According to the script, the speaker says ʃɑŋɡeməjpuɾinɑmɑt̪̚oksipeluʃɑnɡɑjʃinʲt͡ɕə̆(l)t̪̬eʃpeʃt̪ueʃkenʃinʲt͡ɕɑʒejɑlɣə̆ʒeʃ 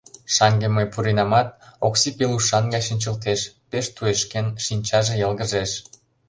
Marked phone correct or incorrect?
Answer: correct